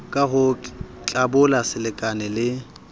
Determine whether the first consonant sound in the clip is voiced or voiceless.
voiceless